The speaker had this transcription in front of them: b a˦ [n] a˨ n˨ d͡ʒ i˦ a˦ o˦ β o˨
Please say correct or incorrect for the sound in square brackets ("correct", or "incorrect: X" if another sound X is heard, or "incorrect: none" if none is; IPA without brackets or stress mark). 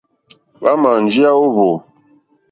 incorrect: m